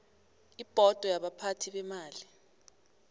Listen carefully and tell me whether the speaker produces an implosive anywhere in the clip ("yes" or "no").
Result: yes